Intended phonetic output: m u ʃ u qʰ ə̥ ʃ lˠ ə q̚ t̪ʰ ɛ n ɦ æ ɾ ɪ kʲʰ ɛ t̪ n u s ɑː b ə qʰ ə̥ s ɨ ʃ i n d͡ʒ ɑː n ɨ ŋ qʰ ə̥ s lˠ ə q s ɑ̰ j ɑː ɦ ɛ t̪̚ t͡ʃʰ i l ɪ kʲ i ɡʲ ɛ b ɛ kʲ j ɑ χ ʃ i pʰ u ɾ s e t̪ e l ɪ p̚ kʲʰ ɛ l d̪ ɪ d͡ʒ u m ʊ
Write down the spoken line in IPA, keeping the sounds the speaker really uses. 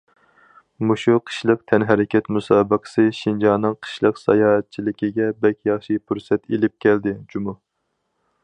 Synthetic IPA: m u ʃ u qʰ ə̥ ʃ lˠ ə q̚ t̪ʰ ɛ n ɦ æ ɾ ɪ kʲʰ ɛ t̪ m u s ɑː b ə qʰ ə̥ s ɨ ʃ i n d͡ʒ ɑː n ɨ ŋ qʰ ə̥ ʃ lˠ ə q s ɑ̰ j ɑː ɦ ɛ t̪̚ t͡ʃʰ i l ɪ kʲ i ɡʲ ɛ b ɛ kʲ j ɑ χ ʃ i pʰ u ɾ s ɛ t̪ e l ɪ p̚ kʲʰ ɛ l d̪ ɪ d͡ʒ u m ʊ